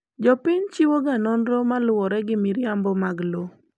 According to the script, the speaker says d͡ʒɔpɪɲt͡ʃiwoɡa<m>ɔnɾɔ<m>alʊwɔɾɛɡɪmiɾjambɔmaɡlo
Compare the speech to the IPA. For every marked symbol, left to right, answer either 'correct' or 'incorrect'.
incorrect, correct

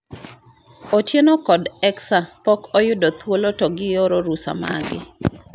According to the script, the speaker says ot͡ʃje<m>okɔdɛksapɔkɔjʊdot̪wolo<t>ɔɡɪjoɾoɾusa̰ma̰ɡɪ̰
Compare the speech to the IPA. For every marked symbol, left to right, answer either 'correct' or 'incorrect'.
incorrect, correct

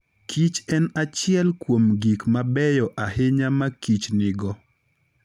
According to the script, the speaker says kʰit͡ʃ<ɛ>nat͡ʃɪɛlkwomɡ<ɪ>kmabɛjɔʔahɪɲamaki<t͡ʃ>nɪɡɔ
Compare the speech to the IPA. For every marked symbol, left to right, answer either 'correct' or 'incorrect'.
correct, incorrect, correct

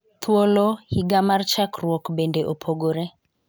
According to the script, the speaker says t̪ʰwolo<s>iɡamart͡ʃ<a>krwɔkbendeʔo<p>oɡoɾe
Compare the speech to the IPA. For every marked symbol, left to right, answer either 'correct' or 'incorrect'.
incorrect, correct, incorrect

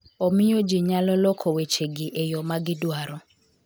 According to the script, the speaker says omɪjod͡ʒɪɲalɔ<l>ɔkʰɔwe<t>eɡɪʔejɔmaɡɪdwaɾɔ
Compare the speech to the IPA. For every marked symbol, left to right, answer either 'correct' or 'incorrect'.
correct, incorrect

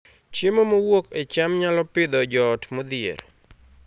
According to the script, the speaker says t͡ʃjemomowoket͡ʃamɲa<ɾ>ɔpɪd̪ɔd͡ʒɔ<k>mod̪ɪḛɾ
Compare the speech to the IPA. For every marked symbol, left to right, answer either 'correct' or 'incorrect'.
incorrect, incorrect

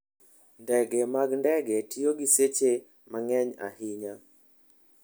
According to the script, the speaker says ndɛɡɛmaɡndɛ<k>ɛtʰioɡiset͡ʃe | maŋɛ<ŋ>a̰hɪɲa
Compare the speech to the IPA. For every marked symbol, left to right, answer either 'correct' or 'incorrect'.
incorrect, incorrect

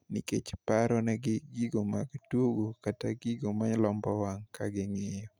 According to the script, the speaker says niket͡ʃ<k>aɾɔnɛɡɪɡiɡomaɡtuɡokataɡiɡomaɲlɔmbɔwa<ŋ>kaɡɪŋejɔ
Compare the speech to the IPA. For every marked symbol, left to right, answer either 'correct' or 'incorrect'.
incorrect, correct

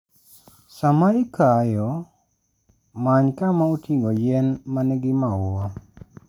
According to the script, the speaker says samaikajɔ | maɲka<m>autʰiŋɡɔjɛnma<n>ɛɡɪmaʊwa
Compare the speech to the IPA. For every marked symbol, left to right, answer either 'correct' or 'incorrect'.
correct, correct

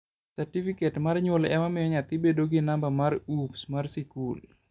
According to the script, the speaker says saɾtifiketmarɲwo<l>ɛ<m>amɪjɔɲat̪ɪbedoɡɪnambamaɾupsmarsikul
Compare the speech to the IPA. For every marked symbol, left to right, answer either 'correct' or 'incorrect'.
correct, correct

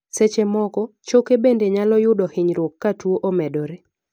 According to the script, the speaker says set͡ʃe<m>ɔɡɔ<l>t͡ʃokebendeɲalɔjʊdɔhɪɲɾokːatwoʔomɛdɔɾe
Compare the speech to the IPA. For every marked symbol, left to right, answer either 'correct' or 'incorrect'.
correct, incorrect

